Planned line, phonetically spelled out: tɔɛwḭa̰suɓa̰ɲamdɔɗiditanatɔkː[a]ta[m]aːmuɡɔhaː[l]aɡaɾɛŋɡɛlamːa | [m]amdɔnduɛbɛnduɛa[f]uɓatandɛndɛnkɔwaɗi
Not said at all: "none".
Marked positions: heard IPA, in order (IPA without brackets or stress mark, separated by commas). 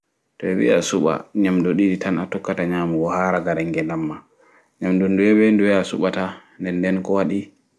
a, ɲ, ɾ, ɲ, s